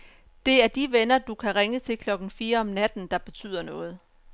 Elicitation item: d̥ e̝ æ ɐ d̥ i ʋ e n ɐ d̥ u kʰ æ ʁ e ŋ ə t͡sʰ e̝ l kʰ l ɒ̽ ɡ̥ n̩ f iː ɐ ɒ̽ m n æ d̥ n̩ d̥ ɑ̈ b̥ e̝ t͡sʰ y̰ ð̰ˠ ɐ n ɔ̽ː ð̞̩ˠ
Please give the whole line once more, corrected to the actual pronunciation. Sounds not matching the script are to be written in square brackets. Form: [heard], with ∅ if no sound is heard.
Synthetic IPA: d̥ e̝ æ ɐ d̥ i ʋ e n ɐ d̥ u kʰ æ ʁ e ŋ ə t͡sʰ e̝ l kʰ l ɒ̽ ɡ̥ n̩ f iː ɐ ɒ̽ m n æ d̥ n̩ d̥ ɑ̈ b̥ e̝ t͡sʰ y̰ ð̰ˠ ɐ n ɔ̽ː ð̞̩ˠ